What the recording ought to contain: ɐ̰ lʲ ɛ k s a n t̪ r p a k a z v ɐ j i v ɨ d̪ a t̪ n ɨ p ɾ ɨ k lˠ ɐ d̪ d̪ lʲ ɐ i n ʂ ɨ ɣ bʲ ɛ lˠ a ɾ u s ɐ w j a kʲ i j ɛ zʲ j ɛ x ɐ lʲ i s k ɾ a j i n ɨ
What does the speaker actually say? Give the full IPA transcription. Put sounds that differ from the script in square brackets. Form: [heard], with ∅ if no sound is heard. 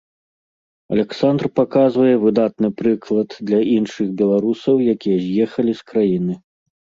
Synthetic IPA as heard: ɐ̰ lʲ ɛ k s a n [d̪] r p a k a z v ɐ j [ɛ] v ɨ d̪ a t̪ n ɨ p ɾ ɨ k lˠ ɐ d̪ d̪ lʲ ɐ i n ʂ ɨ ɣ bʲ ɛ lˠ a ɾ u s ɐ w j a kʲ i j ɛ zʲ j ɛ x ɐ lʲ i s k ɾ a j i n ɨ

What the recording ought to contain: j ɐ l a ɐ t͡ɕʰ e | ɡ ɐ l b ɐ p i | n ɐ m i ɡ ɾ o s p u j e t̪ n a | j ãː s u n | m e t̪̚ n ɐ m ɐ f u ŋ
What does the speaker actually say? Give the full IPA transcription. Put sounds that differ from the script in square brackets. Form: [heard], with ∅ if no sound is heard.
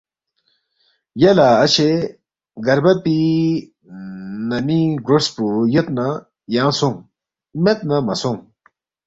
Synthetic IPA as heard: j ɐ l a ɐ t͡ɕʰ e | ɡ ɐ [ɾ] b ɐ p i | n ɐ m i ɡ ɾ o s p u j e t̪ n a | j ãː s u [ŋ] | m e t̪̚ n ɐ m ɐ [s] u ŋ

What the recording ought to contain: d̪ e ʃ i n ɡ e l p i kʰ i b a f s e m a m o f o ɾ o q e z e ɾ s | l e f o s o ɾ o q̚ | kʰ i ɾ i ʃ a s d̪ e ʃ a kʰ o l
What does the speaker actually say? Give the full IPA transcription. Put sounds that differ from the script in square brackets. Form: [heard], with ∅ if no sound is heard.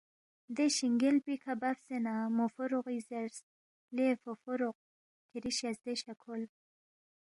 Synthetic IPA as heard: d̪ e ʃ i [ŋ] ɡ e l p i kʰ [a] b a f s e [n] a m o f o ɾ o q [i] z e ɾ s | l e f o [f] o ɾ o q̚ | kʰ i ɾ i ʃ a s d̪ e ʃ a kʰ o l

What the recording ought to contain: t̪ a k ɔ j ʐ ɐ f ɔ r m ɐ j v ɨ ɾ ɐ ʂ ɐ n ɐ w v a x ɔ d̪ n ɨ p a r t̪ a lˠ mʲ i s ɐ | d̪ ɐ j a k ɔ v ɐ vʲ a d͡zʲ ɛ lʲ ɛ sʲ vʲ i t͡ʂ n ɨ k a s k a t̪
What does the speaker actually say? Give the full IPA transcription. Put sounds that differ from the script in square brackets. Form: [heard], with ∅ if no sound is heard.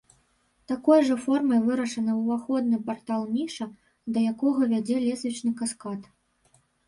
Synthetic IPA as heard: t̪ a k ɔ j ʐ ɐ f ɔ r m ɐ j v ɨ ɾ ɐ ʂ ɐ n ɐ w v a x ɔ d̪ n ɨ p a r t̪ a lˠ mʲ i [ʂ] ɐ | d̪ ɐ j a k ɔ [ɣ] ɐ vʲ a d͡zʲ ɛ lʲ ɛ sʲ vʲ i t͡ʂ n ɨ k a s k a t̪

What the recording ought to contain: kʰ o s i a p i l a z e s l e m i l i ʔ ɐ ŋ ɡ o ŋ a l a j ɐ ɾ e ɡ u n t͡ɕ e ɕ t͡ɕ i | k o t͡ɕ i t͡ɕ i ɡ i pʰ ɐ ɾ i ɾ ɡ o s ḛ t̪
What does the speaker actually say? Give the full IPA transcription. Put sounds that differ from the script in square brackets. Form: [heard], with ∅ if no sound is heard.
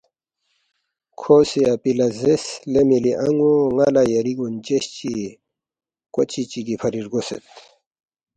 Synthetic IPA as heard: kʰ o s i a p i l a z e s l e m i l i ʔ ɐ ŋ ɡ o ŋ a l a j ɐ ɾ [i] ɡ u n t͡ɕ e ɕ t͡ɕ i | k o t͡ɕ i t͡ɕ i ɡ i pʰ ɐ ɾ i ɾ ɡ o s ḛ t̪

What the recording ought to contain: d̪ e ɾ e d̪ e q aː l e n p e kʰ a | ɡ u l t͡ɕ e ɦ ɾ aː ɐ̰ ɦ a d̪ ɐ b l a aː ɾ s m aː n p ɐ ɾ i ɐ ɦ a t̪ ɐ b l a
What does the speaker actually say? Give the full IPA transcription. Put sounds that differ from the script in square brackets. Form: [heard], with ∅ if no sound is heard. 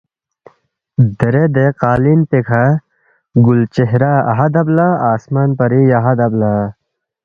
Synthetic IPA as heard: d̪ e ɾ e d̪ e q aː l [i] n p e kʰ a | ɡ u l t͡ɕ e ɦ ɾ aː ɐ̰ ɦ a d̪ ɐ b l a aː [∅] s m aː n p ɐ ɾ i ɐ ɦ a [d̪] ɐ b l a

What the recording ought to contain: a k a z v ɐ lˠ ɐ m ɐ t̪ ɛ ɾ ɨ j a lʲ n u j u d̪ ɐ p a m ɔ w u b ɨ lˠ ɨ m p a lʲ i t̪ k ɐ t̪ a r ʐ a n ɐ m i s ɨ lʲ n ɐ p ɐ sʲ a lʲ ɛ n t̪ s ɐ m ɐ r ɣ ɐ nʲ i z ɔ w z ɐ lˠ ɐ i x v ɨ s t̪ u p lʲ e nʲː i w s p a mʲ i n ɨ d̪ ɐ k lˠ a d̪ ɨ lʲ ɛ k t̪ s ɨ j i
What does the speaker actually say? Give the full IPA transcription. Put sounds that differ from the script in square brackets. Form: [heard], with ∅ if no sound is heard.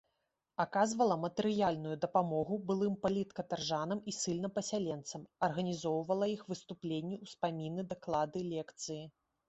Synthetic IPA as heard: a k a z v ɐ lˠ ɐ m ɐ t̪ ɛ ɾ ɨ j a lʲ n u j u d̪ ɐ p a m ɔ [ɣ] u b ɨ lˠ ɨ m p a lʲ i t̪ k ɐ t̪ a r ʐ a n ɐ m i s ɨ lʲ n ɐ p ɐ sʲ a lʲ ɛ n t̪ s ɐ m ɐ r ɣ ɐ nʲ i z ɔ w [v] ɐ lˠ ɐ i x v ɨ s t̪ u p lʲ e nʲː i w s p a mʲ i n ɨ d̪ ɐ k lˠ a d̪ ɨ lʲ ɛ k t̪ s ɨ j i

